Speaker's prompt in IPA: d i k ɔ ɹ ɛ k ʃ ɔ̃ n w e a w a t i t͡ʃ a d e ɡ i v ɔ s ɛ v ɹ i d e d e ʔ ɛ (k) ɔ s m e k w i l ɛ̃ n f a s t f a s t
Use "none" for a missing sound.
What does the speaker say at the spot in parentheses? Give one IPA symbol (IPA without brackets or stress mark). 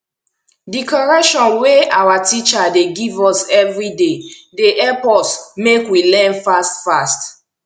p